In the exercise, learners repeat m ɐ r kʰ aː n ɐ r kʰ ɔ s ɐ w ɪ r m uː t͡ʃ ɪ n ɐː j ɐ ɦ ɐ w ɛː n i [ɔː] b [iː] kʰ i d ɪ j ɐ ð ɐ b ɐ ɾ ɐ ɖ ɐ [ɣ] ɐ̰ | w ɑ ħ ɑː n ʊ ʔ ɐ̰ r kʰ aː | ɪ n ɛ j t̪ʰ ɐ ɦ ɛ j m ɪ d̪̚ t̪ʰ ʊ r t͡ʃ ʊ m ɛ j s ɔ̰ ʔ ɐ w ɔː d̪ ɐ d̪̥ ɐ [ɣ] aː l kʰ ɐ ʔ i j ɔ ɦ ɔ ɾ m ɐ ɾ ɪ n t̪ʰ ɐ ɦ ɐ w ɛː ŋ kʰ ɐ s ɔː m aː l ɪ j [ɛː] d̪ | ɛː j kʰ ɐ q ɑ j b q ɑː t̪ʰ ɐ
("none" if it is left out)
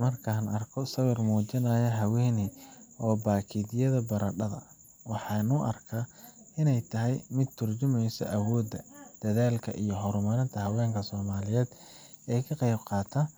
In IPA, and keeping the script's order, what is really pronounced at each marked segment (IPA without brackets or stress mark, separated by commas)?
ɔː, aː, ð, ð, ɛː